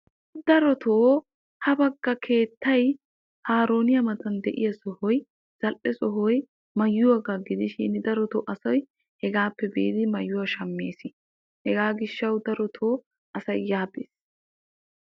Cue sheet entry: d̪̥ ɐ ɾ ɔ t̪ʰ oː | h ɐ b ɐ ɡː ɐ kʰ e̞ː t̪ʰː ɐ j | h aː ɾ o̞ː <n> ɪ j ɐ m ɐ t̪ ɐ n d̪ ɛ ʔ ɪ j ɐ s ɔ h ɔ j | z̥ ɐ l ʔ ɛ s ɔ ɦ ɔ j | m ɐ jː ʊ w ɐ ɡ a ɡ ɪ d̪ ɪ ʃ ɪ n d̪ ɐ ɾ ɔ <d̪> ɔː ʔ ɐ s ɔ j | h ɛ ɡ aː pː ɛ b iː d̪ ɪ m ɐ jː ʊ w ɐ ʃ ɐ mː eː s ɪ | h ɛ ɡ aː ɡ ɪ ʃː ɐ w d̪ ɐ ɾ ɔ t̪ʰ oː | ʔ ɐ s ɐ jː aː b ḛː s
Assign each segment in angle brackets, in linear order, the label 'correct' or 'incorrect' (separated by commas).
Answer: correct, incorrect